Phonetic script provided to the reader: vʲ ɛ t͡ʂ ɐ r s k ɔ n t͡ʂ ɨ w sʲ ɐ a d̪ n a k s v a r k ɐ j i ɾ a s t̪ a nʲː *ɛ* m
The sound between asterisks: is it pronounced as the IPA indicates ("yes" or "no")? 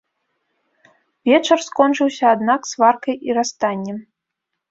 yes